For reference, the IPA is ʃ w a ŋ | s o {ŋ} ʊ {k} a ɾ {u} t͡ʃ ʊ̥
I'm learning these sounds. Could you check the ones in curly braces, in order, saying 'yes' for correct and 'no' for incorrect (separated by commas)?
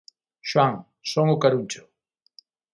yes, yes, yes